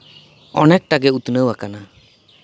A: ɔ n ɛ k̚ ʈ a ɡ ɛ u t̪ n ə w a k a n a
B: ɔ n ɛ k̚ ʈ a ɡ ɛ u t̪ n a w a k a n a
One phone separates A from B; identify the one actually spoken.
A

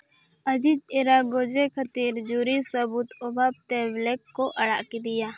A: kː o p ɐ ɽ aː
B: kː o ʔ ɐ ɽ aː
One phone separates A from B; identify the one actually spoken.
B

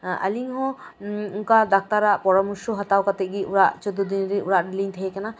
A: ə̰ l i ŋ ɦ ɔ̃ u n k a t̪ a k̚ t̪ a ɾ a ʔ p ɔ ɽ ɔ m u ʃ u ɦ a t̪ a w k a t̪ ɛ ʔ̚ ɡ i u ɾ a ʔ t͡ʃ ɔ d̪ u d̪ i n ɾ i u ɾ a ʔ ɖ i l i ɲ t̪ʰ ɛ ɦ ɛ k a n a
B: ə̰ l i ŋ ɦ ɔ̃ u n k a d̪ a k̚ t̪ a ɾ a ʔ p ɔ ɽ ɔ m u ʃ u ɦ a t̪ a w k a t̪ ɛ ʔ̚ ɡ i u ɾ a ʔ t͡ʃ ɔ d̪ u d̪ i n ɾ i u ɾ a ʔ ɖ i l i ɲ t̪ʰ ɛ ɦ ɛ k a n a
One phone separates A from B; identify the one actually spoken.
B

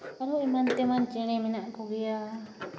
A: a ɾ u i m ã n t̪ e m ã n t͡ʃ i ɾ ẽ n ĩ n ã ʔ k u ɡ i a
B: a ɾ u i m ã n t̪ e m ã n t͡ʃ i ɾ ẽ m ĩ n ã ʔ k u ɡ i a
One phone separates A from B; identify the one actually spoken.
B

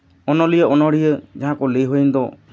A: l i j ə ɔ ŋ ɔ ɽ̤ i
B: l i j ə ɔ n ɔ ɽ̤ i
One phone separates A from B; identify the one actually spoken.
B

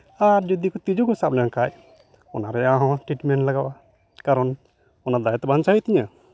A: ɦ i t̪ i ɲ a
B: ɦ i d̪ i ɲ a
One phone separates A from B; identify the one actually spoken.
A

